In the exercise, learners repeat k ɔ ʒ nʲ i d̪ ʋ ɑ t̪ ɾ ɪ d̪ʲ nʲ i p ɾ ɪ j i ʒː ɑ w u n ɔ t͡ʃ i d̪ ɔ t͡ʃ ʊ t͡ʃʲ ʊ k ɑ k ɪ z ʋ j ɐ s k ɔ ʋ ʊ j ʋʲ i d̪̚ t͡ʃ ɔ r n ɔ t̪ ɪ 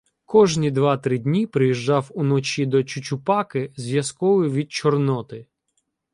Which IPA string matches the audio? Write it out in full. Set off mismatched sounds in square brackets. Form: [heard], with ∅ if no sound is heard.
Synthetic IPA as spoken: k ɔ ʒ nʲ i d̪ ʋ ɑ t̪ ɾ ɪ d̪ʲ nʲ i p ɾ ɪ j i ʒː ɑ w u n ɔ t͡ʃ i d̪ ɔ t͡ʃ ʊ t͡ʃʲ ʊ [p] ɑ k ɪ z ʋ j ɐ s k ɔ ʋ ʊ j ʋʲ i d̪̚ t͡ʃ ɔ r n ɔ t̪ ɪ